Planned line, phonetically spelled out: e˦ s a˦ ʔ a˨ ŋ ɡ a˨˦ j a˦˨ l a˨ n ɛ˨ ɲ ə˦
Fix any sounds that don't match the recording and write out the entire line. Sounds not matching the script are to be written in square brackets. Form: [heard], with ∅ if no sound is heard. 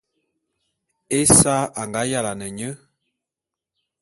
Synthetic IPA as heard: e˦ s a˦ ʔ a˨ ŋ ɡ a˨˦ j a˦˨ l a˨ n ɛ˨ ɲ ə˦